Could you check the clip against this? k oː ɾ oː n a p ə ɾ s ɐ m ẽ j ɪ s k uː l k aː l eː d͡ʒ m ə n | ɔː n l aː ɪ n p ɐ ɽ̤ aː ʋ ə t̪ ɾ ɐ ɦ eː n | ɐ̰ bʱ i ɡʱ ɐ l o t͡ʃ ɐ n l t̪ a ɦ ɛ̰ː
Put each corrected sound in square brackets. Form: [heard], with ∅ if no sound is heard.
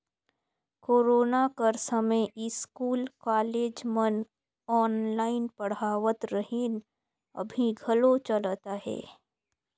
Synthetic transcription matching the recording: k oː ɾ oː n a [k] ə ɾ s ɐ m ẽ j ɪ s k uː l k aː l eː d͡ʒ m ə n | ɔː n l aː ɪ n p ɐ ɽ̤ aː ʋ ə t̪ ɾ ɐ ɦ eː n | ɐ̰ bʱ i ɡʱ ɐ l o t͡ʃ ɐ [∅] l t̪ a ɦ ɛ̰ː